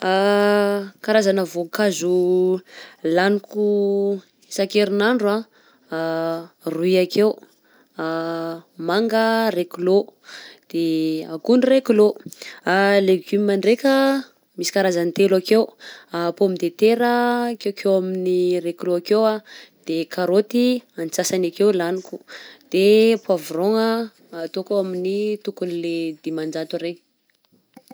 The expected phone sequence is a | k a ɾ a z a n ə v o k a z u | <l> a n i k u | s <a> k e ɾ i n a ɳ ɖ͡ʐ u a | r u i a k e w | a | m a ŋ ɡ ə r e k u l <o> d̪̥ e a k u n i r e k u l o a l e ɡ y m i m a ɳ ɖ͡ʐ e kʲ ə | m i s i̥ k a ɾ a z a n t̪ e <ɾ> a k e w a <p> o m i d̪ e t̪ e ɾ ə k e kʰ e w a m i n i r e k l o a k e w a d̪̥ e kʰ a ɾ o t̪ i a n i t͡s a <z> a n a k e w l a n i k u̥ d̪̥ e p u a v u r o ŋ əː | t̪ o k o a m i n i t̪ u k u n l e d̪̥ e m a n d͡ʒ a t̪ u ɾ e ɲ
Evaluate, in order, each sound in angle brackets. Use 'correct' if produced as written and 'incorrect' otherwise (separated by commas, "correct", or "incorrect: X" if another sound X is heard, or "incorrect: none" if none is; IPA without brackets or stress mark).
correct, correct, correct, incorrect: l, correct, incorrect: s